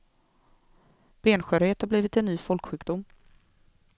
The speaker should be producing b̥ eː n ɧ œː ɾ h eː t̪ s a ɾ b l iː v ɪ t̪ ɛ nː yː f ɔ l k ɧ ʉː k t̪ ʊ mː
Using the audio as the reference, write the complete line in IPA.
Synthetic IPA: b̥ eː n ɧ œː ɾ h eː t̪ h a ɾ b l iː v ɪ t̪ ɛ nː yː f ɔ l k ɧ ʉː k d̪ ʊ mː

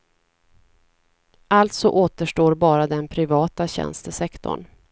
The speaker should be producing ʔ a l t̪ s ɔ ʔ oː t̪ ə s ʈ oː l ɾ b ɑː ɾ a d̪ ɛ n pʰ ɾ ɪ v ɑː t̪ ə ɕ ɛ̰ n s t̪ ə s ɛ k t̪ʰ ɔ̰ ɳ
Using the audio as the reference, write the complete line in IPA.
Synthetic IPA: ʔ a l t̪ s ɔ ʔ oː t̪ ə ʂ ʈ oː ɾ b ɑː ɾ a d̪ ɛ n pʰ ɾ ɪ v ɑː t̪ a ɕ ɛ̰ n s t̪ ə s ɛ k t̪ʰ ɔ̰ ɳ

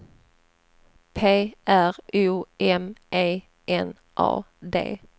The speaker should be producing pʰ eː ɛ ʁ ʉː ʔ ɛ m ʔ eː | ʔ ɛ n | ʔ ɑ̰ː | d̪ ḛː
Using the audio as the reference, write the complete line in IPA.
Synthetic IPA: pʰ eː æ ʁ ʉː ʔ ɛ m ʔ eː | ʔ ɛ n | ʔ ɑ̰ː | d̪ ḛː

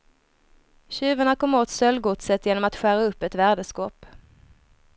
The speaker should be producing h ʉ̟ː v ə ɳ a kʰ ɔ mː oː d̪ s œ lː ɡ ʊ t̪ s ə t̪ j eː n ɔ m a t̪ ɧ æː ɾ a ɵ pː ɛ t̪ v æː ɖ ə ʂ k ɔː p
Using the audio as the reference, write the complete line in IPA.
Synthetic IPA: ɕ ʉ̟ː v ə ɳ a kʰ ɔ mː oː t̪ s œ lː ɡ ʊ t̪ s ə t̪ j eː n ɔ m a t̪ ɧ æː ɾ a ɵ pː ɛ t̪ v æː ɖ ə s k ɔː p

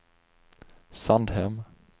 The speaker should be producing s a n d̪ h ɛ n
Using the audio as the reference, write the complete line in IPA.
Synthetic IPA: s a n d̪ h ɛ m

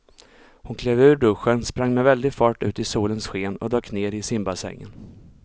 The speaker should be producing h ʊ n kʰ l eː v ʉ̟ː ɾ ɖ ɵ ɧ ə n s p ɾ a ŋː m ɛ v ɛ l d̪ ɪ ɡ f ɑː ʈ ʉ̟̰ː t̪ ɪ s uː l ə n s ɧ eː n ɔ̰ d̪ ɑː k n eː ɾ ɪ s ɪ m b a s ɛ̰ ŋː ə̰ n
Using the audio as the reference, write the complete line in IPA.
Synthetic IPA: h ʊ n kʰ l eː v ʉ̟ː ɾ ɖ ɵ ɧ ə n s p ɾ a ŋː m ɛ v ɛ l d̪ ɪ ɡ f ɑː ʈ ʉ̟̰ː t̪ ɪ s uː l ə n s ɧ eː n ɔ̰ d̪ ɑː k n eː ɾ ɪ s ɪ m b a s ɛ̰ ŋː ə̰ n

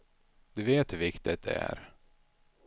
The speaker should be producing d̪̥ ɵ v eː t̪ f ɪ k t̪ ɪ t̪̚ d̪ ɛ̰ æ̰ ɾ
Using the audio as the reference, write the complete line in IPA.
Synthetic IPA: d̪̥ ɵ v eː t̪ v ɪ k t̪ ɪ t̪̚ d̪ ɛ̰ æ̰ ɾ

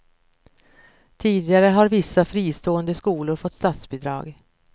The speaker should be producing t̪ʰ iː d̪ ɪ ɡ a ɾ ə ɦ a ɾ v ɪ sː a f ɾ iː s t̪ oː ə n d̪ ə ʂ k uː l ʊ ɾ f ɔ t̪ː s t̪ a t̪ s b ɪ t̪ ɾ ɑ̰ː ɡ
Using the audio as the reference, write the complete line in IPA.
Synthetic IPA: t̪ʰ iː d̪ ɪ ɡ a ɾ ə ɦ a ɾ v ɪ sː a f ɾ iː s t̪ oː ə n d̪ ə s k uː l ʊ ɾ f ɔ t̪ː s t̪ a t̪ s b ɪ d̪ ɾ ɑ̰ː ɡ

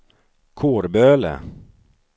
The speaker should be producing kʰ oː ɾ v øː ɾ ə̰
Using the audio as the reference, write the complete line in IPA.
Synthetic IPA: kʰ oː ɾ b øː l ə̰

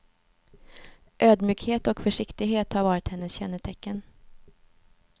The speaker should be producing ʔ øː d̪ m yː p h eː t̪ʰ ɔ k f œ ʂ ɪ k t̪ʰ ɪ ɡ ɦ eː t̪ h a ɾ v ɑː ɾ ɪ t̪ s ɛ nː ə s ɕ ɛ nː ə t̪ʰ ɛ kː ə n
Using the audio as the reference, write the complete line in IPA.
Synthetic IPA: ʔ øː d̪ m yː k h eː t̪ ɔ k f œ ʂ ɪ k t̪ ɪ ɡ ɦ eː t̪ h a ɾ v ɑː ɾ ɪ t̪ h ɛ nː ə s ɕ ɛ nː ə t̪ʰ ɛ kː ə n

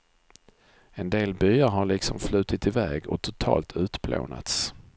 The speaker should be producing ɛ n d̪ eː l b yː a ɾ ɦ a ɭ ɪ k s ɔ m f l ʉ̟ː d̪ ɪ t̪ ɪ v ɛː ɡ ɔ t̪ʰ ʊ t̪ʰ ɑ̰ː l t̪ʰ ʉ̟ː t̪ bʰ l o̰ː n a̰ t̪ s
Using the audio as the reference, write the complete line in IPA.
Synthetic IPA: ɛ n d̪ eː l b yː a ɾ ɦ a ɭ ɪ k s ɔ m f l ʉ̟ː t̪ ɪ t̪ ɪ v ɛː ɡ ɔ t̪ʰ ʊ t̪ʰ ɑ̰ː l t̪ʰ ʉ̟ː t̪ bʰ l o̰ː n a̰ t̪ s

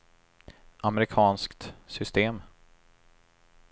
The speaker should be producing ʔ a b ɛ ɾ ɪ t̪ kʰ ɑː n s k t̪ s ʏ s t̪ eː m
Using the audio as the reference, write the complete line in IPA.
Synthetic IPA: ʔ a m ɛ ɾ ɪ kʰ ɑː n s k t̪ s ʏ s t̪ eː m

